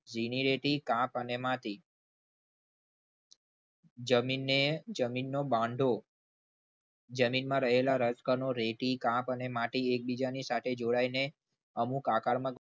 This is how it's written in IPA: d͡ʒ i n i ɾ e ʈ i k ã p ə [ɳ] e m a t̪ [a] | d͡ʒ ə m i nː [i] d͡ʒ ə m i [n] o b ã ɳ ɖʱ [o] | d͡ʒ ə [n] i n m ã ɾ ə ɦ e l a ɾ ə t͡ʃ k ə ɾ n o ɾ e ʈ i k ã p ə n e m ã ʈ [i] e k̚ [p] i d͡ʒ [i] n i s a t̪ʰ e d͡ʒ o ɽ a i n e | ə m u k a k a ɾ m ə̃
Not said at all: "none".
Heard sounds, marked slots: n, i, e, nː, o, m, i, b, a

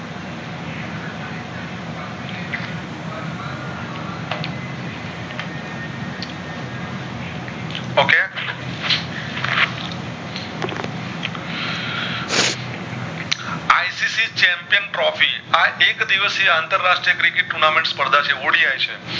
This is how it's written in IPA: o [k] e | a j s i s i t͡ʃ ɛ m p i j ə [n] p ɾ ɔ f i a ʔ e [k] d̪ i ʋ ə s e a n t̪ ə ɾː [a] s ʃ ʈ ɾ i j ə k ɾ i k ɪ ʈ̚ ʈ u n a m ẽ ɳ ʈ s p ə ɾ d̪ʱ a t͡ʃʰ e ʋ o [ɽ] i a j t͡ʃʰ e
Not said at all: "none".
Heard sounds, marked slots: k, n, k, a, ɽ

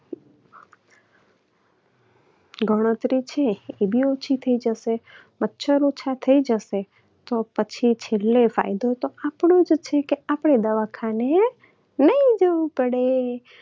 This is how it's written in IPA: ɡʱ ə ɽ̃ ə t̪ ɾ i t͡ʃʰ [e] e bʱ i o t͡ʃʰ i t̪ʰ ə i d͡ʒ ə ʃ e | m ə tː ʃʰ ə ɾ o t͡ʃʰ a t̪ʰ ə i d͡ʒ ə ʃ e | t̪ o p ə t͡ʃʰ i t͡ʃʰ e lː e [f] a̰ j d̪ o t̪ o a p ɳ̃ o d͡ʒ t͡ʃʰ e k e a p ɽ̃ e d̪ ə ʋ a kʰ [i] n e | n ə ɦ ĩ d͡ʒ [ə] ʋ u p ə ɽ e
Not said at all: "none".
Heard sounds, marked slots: e, f, a, ə

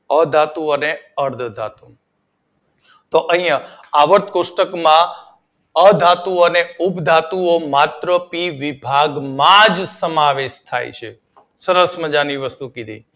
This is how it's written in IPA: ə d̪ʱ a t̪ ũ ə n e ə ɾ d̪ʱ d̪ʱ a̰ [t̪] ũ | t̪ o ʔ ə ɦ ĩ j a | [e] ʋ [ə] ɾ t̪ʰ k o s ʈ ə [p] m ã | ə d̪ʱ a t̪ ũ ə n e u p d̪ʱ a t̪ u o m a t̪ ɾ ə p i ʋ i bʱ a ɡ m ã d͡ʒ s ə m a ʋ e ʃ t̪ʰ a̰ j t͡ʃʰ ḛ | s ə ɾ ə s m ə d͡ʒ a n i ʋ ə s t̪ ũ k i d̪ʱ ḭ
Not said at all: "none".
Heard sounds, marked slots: t̪, a, ə, k

